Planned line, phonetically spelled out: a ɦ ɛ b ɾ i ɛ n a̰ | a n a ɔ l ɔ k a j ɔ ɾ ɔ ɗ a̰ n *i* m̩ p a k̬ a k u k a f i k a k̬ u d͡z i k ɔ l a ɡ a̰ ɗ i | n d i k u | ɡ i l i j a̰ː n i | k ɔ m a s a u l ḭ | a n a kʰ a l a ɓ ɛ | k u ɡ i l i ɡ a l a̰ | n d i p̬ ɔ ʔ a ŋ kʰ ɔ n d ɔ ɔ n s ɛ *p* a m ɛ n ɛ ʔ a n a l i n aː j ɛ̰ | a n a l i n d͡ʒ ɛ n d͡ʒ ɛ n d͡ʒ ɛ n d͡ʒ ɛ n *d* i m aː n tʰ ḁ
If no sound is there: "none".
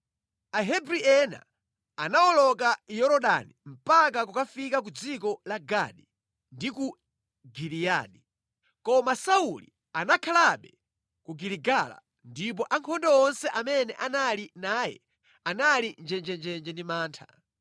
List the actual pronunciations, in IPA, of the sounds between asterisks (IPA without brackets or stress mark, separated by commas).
i, ʔ, d